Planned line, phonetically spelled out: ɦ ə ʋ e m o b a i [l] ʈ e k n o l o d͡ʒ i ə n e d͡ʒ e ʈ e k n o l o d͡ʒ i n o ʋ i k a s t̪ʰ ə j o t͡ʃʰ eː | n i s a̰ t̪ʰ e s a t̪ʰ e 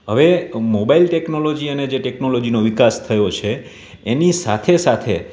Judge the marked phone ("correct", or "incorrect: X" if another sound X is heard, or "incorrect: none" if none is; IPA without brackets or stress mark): correct